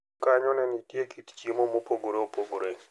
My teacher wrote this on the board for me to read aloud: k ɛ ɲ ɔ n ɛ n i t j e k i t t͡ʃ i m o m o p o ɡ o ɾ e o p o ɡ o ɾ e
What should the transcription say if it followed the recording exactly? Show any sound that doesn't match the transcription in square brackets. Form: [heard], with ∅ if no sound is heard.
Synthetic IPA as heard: k [a] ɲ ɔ n ɛ n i t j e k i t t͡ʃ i m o m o p o ɡ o ɾ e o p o ɡ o ɾ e